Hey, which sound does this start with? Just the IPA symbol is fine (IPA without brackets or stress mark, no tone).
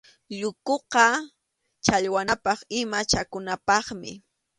ʎ